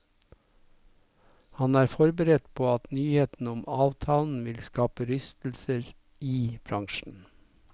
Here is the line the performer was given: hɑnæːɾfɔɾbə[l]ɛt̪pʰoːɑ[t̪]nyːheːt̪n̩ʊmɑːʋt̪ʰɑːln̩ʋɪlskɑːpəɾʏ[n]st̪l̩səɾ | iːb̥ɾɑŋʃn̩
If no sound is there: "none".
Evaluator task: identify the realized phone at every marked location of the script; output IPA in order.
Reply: ɾ, t̪, none

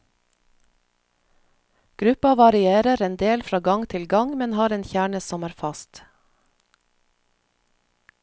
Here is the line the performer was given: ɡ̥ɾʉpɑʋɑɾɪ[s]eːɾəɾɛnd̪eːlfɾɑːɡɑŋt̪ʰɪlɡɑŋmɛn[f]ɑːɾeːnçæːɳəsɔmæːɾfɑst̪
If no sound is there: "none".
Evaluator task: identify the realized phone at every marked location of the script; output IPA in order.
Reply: none, h

